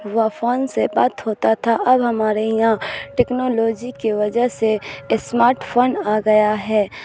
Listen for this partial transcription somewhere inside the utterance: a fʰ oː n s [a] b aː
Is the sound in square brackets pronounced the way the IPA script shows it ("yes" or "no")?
no